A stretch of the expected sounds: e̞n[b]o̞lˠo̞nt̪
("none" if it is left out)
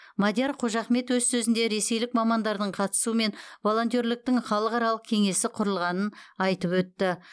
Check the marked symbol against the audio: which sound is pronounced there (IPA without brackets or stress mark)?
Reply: v